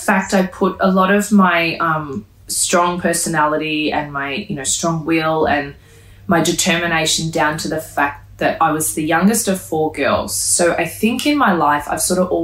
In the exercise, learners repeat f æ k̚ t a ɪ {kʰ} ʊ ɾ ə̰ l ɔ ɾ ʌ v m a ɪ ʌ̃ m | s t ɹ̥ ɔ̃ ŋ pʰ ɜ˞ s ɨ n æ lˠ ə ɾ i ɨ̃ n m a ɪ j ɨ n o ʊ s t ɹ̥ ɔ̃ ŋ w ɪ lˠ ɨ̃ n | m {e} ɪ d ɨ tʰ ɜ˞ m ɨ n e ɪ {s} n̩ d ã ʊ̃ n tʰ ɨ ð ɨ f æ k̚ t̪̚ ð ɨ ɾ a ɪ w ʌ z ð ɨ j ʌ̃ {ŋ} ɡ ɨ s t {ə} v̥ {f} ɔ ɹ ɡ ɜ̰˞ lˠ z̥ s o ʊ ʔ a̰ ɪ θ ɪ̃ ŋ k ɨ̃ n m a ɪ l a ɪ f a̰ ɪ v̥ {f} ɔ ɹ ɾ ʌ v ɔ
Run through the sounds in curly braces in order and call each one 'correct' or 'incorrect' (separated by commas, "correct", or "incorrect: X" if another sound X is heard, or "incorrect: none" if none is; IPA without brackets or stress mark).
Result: incorrect: pʰ, incorrect: a, incorrect: ʃ, correct, incorrect: ʌ, correct, incorrect: s